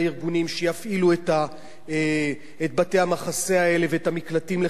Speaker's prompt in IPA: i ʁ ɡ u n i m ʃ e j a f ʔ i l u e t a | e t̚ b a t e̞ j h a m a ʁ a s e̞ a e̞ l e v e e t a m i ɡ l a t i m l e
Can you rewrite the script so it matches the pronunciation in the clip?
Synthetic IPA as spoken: i ʁ ɡ u n i m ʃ e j a f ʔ i l u e t a | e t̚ b a t e̞ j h a m a χ a s e̞ a e̞ l e v e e t a m i k l a t i m l e